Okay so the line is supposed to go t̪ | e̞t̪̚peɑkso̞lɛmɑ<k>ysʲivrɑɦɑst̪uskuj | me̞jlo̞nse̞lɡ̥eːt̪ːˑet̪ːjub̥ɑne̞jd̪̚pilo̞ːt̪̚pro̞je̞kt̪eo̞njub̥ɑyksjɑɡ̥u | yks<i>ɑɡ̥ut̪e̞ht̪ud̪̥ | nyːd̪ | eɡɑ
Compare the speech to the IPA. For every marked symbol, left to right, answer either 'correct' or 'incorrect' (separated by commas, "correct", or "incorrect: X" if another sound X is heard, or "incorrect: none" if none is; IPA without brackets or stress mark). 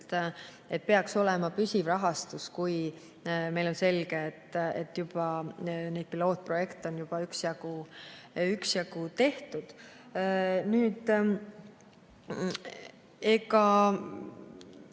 incorrect: p, incorrect: j